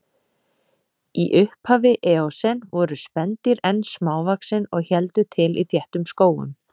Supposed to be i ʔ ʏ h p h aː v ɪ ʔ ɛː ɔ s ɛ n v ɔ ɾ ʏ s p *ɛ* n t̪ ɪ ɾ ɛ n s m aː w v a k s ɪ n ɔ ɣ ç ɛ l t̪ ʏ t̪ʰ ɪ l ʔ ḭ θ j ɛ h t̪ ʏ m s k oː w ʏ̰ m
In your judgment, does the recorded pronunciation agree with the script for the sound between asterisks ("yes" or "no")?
yes